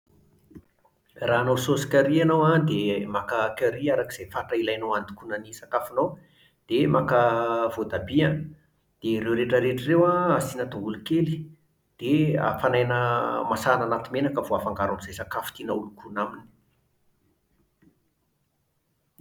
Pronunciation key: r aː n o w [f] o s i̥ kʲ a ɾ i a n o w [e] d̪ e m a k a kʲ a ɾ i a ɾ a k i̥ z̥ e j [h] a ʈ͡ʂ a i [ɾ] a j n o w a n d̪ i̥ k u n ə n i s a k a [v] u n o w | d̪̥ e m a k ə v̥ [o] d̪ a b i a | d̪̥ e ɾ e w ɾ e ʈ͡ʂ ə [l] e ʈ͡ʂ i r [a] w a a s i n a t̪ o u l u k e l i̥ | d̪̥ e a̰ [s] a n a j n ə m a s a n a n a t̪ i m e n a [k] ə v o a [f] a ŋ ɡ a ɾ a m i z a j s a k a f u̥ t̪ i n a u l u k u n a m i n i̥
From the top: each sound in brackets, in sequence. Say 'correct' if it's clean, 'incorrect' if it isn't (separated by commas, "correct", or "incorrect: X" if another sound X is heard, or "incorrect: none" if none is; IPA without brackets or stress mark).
incorrect: s, incorrect: a, incorrect: f, incorrect: l, incorrect: f, correct, incorrect: ɾ, incorrect: e, incorrect: f, correct, correct